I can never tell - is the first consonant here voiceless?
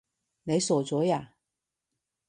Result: no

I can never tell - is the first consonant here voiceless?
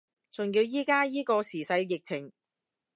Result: yes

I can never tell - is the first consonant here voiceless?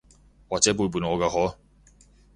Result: no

